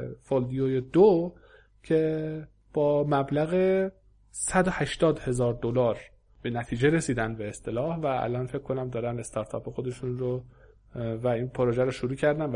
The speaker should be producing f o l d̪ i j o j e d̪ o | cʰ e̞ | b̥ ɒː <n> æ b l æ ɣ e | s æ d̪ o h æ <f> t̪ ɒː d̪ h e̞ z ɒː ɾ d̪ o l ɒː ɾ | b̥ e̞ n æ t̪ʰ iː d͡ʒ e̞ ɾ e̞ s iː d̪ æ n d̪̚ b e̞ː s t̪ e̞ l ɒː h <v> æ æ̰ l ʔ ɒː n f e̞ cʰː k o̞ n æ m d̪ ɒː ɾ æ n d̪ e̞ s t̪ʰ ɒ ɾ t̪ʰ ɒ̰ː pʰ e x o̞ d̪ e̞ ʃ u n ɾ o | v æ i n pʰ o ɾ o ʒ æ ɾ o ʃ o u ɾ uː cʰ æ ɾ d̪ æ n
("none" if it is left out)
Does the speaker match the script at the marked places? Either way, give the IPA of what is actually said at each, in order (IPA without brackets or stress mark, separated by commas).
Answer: m, ʃ, v